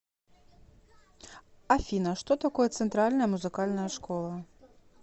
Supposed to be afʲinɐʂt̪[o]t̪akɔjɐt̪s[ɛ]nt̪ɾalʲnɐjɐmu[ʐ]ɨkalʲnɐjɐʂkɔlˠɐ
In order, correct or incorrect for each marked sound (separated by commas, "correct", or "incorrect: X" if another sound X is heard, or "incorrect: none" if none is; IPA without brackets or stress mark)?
incorrect: ɔ, correct, incorrect: z